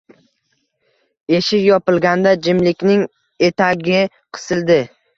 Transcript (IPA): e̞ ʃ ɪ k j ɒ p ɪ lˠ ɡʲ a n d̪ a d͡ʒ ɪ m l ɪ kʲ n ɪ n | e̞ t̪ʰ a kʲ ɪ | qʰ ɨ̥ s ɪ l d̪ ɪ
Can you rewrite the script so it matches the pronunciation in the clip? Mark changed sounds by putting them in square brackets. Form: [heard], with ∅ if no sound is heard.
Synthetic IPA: e̞ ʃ ɪ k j ɒ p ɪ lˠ ɡʲ a n d̪ a d͡ʒ ɪ m l ɪ kʲ n ɪ [ŋ] | e̞ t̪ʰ a [ɡʲ] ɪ | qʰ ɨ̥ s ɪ l d̪ ɪ